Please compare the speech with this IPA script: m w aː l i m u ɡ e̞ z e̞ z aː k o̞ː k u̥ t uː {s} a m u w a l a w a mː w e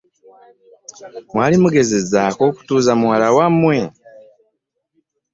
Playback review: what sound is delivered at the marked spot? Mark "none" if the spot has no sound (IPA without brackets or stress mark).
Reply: z